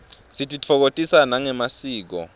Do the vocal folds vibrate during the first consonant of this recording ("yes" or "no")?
no